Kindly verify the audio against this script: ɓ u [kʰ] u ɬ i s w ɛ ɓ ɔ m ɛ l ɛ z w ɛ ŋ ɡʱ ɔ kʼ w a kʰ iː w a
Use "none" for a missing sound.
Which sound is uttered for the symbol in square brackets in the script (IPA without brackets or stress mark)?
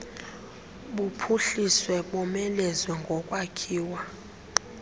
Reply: pʰ